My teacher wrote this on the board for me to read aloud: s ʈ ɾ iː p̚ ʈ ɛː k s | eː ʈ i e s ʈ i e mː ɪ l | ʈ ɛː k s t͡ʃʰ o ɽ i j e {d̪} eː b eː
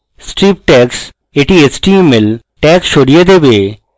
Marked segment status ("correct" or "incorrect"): correct